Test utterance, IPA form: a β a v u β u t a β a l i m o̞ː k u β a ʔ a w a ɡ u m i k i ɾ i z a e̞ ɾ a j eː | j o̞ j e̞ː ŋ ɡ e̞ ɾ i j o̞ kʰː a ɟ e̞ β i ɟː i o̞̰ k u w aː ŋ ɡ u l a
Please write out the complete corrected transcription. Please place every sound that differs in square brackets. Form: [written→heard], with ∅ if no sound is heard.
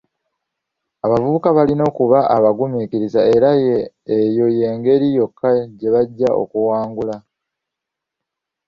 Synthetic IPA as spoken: a β a v u β u [t→k] a β a l i [m→n] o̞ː k u β a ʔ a [w→β] a ɡ u m i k i ɾ i z a e̞ ɾ a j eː | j o̞ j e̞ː ŋ ɡ e̞ ɾ i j o̞ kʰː a ɟ e̞ β [i→a] ɟː [i→a] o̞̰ k u w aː ŋ ɡ u l a